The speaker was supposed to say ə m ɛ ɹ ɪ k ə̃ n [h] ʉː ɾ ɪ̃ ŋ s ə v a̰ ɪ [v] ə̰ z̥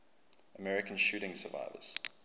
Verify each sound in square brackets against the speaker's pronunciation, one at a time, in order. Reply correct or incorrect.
incorrect: ʃ, correct

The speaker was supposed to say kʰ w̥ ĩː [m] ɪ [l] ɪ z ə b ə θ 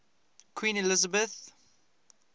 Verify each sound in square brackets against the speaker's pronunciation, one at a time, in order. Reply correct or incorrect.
incorrect: n, correct

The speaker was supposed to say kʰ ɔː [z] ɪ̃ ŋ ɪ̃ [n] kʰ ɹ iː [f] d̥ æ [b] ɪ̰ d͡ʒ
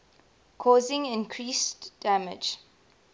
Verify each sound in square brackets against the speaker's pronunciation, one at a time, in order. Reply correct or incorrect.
correct, correct, incorrect: s, incorrect: m

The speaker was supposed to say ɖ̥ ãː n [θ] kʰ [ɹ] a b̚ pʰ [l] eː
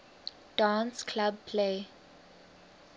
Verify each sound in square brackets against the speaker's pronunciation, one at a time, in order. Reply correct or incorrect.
incorrect: s, incorrect: l, correct

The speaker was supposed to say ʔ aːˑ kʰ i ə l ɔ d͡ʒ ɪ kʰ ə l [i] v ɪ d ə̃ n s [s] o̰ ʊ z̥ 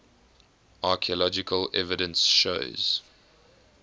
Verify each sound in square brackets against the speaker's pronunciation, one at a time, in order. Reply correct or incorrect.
incorrect: ɛ, incorrect: ʃ

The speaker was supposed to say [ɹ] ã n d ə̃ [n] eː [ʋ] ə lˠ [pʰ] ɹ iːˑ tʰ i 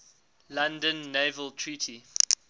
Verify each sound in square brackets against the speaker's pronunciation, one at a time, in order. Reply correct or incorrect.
incorrect: l, incorrect: nː, incorrect: v, incorrect: tʰ

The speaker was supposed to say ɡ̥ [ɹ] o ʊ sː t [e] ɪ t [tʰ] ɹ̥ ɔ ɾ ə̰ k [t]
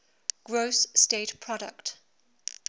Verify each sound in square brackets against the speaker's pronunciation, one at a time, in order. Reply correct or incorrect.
correct, correct, incorrect: pʰ, correct

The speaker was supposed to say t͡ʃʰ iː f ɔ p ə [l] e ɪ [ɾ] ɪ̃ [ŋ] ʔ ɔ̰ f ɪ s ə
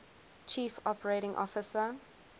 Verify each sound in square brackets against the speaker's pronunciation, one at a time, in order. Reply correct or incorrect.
incorrect: ɹ, correct, correct

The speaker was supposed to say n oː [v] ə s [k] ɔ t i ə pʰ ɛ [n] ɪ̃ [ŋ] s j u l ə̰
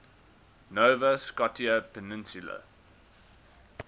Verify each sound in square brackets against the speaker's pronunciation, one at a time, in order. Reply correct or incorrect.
correct, correct, correct, incorrect: n

